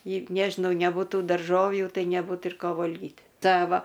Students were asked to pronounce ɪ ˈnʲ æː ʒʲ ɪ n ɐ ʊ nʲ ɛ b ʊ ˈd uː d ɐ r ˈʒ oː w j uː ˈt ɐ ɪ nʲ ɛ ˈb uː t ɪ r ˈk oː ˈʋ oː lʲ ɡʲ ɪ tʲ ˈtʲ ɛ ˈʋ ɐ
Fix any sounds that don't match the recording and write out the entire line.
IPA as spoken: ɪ ˈnʲ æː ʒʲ ɪ n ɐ ʊ nʲ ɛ b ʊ ˈt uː d ɐ r ˈʒ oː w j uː ˈt ɐ ɪ nʲ ɛ ˈb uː t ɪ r ˈk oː ˈʋ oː lʲ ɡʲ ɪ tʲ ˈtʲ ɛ ˈʋ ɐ